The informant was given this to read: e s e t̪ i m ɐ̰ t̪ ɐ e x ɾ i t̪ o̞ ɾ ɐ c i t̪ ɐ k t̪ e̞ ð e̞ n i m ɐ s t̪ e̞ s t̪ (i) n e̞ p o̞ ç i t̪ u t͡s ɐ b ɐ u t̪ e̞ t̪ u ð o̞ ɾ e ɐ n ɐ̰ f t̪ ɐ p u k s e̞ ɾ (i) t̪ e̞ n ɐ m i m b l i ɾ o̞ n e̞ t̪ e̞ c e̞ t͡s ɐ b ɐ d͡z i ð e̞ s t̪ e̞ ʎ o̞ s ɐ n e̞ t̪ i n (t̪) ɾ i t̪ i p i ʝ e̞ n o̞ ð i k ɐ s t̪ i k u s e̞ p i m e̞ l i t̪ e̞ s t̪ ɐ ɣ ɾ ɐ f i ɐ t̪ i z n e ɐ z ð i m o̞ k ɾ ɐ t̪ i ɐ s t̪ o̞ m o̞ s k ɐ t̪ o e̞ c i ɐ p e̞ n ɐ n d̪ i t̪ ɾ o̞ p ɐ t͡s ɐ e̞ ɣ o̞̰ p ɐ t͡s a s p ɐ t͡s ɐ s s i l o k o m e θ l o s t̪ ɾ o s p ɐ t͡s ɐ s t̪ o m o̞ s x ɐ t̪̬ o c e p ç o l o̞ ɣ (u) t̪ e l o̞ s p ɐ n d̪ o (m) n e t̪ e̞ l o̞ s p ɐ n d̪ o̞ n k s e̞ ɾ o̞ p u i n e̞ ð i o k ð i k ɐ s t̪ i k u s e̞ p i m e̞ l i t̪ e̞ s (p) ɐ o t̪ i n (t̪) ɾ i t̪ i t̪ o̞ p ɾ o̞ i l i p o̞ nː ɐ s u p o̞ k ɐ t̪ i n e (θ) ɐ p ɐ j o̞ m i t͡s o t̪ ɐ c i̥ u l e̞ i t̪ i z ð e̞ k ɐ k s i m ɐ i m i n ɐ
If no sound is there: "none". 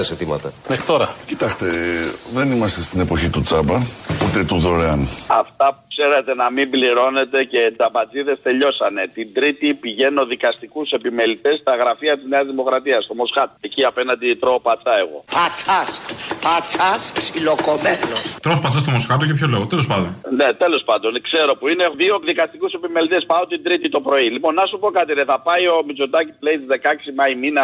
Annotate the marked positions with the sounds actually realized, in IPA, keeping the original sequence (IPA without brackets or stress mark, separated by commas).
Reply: i, e, d̪, o, n, p, d̪, θ